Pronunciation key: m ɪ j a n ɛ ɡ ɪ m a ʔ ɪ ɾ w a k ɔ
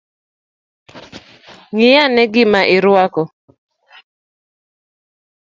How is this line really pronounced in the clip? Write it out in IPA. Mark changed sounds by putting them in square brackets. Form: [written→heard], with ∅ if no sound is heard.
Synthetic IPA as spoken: [m→ŋ] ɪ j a n ɛ ɡ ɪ m a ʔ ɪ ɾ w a k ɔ